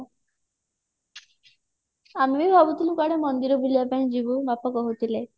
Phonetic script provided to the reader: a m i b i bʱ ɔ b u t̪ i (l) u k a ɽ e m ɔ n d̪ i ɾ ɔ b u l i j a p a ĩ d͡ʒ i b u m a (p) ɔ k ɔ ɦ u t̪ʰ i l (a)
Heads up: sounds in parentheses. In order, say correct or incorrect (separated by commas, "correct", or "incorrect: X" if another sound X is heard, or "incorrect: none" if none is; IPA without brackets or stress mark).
correct, correct, incorrect: e